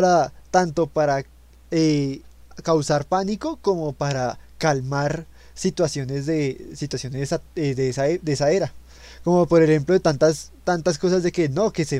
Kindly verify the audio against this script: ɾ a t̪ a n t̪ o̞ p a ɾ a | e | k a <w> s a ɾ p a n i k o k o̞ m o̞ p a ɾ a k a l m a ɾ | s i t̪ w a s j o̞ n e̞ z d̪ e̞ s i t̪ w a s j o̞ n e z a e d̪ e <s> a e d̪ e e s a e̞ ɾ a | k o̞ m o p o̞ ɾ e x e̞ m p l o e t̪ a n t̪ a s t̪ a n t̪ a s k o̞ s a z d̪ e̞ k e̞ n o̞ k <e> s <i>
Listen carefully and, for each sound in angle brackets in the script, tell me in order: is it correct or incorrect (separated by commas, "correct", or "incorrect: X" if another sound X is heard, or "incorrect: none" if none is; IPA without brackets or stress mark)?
correct, correct, correct, incorrect: e